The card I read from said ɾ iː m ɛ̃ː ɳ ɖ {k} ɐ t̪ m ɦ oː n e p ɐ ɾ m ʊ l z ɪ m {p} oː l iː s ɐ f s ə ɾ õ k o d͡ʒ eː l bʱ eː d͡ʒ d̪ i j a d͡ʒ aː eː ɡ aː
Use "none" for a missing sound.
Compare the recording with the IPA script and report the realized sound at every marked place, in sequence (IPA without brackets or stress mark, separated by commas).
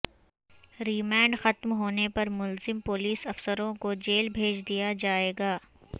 x, p